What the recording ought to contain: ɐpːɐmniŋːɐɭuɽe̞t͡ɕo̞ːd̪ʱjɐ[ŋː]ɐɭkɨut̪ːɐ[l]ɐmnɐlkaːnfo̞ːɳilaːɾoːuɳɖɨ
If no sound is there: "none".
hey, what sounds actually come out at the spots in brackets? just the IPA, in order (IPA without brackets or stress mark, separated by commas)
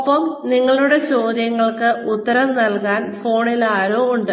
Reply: ŋː, ɾ